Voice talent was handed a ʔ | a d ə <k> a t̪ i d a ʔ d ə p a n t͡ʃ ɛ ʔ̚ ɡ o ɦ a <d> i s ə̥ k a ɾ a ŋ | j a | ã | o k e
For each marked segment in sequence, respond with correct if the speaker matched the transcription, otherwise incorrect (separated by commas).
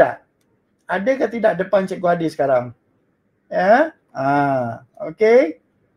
correct, correct